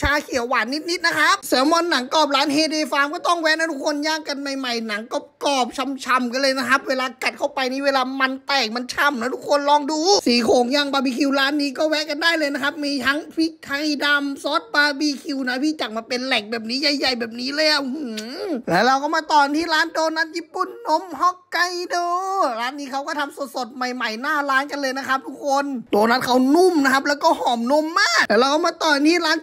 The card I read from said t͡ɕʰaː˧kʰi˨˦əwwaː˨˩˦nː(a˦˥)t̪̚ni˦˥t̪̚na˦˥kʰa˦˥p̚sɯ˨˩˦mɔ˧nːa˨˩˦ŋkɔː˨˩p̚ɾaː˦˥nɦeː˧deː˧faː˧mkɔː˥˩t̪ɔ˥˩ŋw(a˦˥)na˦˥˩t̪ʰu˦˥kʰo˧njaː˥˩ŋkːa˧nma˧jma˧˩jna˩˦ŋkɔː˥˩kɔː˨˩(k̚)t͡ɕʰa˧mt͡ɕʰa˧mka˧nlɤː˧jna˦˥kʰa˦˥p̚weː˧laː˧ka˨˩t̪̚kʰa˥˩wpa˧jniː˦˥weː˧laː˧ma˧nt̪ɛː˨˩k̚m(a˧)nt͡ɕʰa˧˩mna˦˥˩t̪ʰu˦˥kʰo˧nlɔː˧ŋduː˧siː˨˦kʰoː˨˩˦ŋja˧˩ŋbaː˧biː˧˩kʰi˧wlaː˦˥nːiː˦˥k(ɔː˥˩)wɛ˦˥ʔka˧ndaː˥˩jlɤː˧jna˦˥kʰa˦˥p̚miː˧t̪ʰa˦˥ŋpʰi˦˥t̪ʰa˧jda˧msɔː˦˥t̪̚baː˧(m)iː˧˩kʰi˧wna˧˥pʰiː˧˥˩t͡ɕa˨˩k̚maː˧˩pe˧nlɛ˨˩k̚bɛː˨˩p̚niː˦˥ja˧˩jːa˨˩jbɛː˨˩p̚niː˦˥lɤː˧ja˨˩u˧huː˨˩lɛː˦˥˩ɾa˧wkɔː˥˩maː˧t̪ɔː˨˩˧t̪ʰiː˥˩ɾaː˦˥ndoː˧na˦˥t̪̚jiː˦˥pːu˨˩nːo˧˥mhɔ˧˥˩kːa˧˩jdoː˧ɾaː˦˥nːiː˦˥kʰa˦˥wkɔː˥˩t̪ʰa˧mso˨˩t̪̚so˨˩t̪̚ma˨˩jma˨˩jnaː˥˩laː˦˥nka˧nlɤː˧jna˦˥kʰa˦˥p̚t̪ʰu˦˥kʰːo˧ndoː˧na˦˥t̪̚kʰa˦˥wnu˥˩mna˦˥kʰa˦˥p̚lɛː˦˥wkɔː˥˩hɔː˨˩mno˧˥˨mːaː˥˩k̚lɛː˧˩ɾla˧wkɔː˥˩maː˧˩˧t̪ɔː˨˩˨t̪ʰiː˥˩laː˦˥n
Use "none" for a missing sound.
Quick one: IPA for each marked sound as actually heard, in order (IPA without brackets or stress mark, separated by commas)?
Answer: i˦˥, ɛ˦˥, p̚, a˧, ɔː˥˩, b